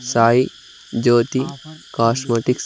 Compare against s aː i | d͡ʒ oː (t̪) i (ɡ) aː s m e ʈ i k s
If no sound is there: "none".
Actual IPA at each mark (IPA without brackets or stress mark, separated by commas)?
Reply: t̪, k